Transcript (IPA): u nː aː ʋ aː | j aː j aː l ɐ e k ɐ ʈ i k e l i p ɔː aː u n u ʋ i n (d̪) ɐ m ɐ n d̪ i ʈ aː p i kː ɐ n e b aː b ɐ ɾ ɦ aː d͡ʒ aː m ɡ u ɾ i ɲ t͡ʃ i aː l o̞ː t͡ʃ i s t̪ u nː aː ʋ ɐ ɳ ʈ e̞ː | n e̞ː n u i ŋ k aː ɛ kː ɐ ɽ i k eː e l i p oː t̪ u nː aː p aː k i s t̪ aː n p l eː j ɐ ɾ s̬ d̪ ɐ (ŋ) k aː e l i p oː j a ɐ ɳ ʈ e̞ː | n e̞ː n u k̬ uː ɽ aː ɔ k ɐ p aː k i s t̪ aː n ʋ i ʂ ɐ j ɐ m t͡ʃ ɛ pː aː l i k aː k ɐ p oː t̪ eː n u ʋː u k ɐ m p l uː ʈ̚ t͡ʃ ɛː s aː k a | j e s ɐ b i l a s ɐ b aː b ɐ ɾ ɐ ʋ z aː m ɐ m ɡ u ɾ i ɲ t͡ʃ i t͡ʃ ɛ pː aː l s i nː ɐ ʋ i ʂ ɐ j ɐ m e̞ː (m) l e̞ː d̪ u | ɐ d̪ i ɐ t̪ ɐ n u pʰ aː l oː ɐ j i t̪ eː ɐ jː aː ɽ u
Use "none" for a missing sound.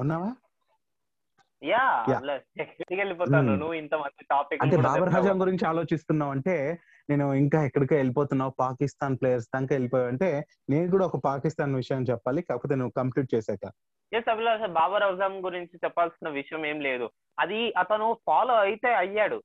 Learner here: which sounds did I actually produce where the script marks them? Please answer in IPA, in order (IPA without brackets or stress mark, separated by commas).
t̪, ŋ, m